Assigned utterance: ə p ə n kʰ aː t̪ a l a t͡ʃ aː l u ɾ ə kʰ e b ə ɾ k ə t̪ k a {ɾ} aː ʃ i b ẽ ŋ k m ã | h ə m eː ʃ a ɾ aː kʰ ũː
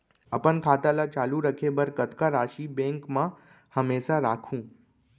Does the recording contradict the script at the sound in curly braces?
no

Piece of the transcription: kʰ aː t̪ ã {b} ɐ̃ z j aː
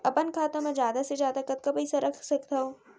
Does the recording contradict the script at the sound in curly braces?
yes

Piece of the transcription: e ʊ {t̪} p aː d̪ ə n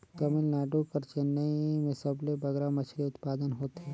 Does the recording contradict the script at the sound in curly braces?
no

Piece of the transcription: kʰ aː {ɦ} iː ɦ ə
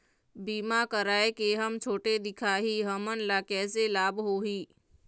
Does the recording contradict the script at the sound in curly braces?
no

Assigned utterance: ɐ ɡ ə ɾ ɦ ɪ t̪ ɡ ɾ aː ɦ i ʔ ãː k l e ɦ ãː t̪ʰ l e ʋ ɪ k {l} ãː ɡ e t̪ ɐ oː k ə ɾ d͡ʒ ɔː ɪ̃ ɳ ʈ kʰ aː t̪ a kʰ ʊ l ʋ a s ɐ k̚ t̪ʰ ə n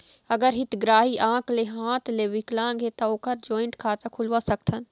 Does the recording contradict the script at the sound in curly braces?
no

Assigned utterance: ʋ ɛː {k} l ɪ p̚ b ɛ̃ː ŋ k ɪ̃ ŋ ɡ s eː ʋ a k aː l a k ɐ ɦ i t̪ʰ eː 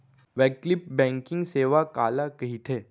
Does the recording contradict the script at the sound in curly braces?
no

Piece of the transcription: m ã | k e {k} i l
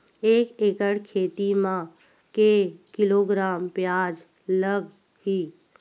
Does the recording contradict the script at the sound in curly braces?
no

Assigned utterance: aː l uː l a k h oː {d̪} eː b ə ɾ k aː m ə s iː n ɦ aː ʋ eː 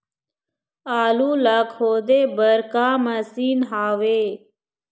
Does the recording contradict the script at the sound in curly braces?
no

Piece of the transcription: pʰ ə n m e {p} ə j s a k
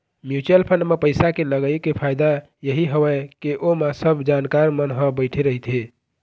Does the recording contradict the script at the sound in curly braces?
no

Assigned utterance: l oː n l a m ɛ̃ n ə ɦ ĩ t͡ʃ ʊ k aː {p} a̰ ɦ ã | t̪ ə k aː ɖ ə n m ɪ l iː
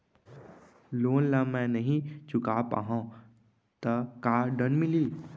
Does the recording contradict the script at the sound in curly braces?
no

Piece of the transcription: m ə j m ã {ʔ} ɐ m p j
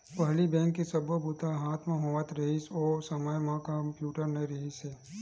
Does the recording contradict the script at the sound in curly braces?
yes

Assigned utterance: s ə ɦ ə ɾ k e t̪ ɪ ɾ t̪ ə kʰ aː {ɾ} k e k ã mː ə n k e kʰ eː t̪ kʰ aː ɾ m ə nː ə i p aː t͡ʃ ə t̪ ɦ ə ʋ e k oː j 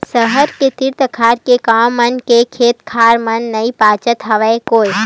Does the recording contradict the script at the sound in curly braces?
no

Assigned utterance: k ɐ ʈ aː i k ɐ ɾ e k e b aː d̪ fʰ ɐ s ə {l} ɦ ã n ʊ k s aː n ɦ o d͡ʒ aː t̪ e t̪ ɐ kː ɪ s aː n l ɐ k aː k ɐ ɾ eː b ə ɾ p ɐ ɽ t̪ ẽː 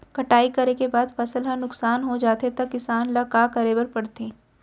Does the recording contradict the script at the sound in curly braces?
no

